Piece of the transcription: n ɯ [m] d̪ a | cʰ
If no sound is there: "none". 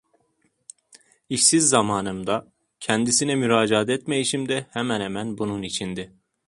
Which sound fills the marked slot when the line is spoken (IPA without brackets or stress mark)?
m